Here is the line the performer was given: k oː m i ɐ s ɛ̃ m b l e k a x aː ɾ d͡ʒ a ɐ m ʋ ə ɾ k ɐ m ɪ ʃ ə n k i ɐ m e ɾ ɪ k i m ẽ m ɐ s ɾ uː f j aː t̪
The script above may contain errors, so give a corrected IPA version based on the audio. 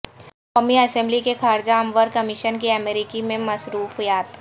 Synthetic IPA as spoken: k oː m i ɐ s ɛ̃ m b l i k e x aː ɾ d͡ʒ a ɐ m ʋ ə ɾ k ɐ m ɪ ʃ ə n k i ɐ m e ɾ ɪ k i m ẽ m ɐ s ɾ uː f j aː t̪

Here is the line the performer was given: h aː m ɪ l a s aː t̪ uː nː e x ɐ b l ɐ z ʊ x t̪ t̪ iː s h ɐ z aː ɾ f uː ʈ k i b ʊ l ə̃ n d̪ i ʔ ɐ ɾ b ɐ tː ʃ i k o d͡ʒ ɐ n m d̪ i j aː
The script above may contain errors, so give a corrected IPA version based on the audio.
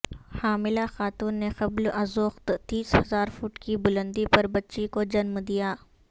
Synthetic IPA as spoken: h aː m ɪ l a x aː t̪ uː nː e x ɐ b l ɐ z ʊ x t̪ t̪ iː s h ɐ z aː ɾ f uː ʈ k i b ʊ l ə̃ n d̪ i p ɐ ɾ b ɐ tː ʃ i k o d͡ʒ ɐ n m d̪ i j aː

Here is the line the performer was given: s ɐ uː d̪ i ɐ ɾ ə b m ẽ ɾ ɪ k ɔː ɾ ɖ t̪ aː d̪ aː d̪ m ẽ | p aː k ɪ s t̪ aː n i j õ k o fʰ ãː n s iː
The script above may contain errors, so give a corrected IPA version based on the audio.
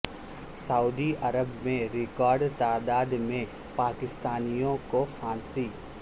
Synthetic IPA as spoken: s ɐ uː d̪ i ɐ ɾ ə b m ẽ ɾ ɪ k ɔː ɾ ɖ t̪ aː d̪ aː d̪ m ẽ | p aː k ɪ s t̪ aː n i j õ k o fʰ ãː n s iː

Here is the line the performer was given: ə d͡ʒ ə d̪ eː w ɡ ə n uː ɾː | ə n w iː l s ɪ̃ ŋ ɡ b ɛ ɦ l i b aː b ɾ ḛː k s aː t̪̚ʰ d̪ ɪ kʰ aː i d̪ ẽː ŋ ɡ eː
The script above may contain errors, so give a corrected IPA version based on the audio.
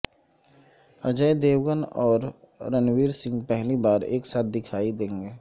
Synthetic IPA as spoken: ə d͡ʒ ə d̪ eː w ɡ ə n ɔː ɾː | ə n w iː ɾ s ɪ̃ ŋ ɡ p ɛ ɦ l i b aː ɾ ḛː k s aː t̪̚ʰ d̪ ɪ kʰ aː i d̪ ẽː ŋ ɡ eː

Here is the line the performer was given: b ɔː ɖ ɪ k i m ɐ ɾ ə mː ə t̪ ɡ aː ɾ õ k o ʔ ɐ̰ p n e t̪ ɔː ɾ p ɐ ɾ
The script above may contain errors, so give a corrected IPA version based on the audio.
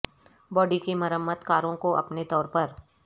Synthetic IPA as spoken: b ɔː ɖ i k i m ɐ ɾ ə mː ə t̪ k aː ɾ õ k o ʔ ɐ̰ p n e t̪ ɔː ɾ p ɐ ɾ

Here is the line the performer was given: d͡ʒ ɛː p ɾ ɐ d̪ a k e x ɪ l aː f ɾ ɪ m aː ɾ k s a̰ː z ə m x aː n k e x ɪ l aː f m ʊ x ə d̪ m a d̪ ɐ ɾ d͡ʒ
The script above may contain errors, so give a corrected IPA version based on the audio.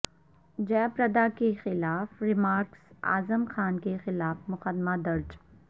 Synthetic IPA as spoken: d͡ʒ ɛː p ɾ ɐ d̪ a k e x ɪ l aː f ɾ ɪ m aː ɾ k s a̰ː z ə m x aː n k e x ɪ l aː f m ʊ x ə d̪ m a d̪ ɐ ɾ d͡ʒ

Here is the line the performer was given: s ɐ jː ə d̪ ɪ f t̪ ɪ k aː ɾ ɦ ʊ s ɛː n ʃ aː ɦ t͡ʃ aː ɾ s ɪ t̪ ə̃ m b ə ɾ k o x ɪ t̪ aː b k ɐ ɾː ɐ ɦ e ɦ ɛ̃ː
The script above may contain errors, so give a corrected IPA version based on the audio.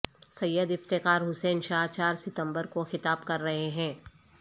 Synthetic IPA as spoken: s ɐ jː ə d̪ ɪ f t̪ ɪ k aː ɾ ɦ ʊ s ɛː n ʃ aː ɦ t͡ʃ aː ɾ s ɪ t̪ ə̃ m b ə ɾ k o x ɪ t̪ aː b k ɐ ɾː ɐ ɦ e ɦ ɛ̃ː

